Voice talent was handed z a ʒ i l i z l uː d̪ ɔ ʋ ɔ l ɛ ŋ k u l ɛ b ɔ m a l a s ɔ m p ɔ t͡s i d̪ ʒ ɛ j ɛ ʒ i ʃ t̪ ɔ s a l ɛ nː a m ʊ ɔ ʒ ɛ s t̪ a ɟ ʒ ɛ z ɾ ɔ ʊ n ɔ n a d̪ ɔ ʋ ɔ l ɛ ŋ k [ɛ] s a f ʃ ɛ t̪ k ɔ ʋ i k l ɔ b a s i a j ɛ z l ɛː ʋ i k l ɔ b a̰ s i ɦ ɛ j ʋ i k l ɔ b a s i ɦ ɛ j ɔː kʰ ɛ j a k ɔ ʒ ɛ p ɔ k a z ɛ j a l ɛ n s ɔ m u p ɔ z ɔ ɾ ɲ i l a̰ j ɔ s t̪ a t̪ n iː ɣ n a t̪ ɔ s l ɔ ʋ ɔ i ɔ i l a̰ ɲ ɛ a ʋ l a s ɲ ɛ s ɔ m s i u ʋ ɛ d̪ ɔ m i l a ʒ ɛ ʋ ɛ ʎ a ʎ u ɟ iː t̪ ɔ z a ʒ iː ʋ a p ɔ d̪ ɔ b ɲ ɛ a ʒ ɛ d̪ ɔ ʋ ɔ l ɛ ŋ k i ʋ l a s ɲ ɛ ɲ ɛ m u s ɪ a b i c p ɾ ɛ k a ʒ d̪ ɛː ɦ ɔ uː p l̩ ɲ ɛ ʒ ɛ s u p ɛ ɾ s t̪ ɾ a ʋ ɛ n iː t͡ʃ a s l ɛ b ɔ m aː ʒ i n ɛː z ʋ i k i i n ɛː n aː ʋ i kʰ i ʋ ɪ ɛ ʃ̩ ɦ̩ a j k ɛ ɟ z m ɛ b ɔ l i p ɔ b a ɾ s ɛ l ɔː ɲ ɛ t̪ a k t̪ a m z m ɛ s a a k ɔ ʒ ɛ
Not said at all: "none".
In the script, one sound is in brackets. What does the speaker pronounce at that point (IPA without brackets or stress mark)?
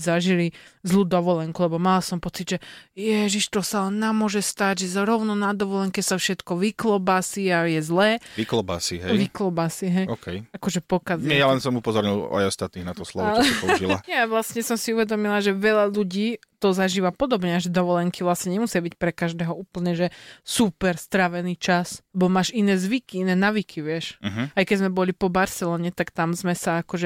ɛ